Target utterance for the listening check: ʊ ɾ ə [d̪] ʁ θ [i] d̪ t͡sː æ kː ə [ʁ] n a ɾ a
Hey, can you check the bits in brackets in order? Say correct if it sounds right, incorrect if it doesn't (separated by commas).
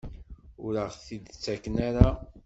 incorrect, correct, incorrect